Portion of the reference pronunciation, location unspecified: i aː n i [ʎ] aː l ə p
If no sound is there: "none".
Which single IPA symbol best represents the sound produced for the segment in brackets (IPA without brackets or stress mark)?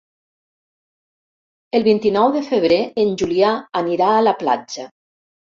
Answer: ɾ